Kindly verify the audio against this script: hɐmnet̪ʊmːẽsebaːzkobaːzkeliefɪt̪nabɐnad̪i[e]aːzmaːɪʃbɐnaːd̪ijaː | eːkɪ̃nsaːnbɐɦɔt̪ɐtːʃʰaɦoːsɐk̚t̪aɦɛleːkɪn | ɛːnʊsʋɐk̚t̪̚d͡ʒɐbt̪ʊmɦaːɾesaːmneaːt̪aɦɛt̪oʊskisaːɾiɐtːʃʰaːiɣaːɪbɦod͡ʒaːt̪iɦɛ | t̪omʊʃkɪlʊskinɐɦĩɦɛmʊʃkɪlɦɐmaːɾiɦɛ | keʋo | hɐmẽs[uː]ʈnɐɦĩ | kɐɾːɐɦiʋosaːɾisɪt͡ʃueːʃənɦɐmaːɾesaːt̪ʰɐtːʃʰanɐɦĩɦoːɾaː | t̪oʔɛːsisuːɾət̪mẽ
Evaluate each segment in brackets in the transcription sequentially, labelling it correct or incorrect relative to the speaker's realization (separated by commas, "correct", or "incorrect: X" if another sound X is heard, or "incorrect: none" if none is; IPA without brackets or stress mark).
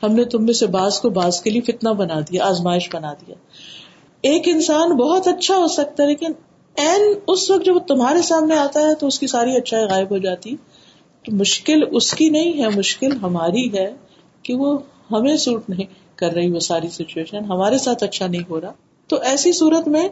incorrect: a, correct